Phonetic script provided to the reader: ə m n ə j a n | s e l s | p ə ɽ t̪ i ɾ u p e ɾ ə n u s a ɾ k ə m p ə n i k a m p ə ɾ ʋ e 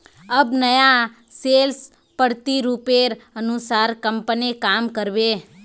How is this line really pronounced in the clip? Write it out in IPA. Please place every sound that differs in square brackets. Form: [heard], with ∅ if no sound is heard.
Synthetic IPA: ə [b] n ə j a [∅] | s e l s | p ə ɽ t̪ i ɾ u p e ɾ ə n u s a ɾ k ə m p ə n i k a m [k] ə ɾ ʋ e